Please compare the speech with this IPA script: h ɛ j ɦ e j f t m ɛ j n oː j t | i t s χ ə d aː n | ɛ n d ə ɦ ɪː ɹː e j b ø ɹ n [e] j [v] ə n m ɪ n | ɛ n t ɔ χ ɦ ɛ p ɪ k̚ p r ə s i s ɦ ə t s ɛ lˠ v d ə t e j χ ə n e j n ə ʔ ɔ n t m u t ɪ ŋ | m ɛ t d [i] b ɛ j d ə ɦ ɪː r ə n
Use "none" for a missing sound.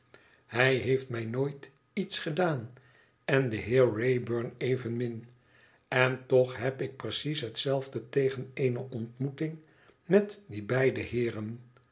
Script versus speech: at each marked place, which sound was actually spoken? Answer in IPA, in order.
e, v, i

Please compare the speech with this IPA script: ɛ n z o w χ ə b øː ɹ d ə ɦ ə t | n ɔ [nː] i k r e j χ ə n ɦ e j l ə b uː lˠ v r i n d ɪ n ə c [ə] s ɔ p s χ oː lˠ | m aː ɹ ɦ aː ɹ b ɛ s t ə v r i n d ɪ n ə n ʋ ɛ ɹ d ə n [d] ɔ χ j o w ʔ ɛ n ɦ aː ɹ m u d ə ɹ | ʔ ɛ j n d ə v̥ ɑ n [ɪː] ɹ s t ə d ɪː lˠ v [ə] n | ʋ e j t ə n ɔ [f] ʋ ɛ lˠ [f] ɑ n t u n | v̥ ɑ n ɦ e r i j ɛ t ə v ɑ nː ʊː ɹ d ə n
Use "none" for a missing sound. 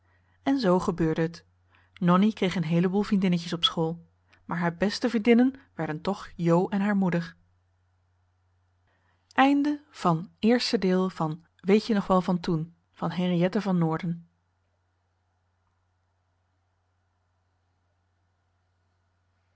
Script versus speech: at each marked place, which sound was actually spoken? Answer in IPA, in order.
n, ə, t, ɪː, ɑ, χ, v

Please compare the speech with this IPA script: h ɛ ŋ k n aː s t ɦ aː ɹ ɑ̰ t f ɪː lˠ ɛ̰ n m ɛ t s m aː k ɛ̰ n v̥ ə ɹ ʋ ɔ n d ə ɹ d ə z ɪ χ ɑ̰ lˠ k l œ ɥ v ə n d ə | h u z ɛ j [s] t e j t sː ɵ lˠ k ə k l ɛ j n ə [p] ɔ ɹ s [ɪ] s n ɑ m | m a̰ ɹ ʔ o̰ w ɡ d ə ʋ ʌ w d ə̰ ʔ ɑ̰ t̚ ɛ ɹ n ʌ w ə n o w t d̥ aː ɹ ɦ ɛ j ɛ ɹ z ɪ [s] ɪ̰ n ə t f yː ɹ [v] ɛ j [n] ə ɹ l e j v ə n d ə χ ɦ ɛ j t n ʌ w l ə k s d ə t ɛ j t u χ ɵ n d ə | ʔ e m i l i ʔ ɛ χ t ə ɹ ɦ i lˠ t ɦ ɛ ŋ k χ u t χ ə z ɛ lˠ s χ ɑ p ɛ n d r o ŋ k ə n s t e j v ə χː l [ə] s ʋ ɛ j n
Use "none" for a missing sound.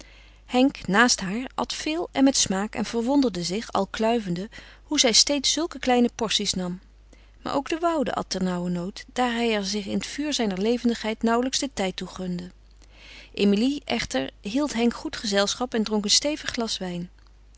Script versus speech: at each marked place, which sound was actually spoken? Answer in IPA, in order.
s, p, i, χ, z, n, ɑ

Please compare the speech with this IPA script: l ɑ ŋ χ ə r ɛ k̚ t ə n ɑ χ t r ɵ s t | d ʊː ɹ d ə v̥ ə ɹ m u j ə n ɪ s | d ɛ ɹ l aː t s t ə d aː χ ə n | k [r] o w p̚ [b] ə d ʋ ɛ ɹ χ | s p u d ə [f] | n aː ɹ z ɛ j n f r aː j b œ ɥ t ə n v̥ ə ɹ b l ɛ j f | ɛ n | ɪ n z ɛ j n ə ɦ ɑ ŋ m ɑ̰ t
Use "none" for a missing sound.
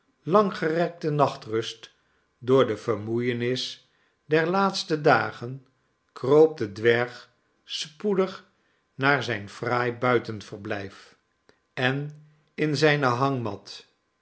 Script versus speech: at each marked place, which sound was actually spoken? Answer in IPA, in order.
r, d, χ

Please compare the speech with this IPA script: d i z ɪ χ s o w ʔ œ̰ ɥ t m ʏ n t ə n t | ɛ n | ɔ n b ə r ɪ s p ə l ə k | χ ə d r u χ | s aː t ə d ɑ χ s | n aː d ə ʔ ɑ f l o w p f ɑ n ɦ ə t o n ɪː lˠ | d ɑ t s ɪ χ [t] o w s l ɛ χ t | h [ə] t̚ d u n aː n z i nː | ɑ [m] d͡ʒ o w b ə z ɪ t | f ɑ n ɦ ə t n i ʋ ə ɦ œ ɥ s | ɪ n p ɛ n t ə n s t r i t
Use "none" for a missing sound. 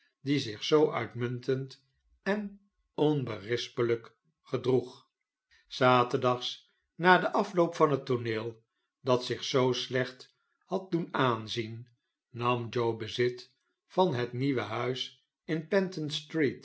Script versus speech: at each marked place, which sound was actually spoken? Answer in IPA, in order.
s, ɑ, m

